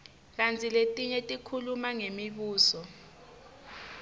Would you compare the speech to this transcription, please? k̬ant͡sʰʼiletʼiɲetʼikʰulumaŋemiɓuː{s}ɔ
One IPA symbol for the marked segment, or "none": s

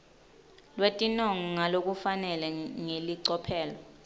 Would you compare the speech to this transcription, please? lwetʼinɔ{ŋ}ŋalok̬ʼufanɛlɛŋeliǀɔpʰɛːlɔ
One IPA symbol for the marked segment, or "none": ŋ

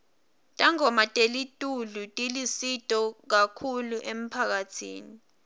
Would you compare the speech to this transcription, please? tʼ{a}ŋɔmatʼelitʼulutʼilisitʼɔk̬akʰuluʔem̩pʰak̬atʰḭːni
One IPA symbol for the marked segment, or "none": a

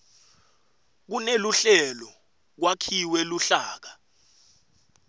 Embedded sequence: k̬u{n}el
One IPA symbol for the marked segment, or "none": n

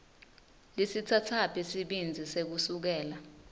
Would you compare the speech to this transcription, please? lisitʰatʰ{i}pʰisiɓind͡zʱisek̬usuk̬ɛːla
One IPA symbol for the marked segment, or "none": a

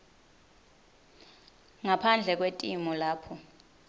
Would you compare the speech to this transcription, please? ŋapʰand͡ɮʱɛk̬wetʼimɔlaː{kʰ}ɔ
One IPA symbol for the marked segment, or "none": pʰ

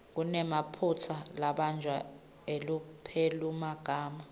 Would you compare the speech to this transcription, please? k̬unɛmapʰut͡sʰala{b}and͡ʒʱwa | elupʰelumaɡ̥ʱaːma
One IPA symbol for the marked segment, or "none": ɓ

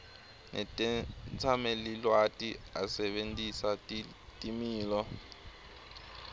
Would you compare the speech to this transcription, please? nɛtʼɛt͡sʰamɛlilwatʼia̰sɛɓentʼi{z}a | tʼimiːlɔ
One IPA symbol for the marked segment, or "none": s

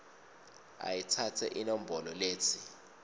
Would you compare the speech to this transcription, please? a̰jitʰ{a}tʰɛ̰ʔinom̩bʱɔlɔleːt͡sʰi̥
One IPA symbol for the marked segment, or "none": a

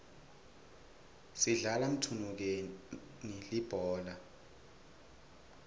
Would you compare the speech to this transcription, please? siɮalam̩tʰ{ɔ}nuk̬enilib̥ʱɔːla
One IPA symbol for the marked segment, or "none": u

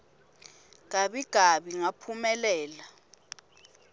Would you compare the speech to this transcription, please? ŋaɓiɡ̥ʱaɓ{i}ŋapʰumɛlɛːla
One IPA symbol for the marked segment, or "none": i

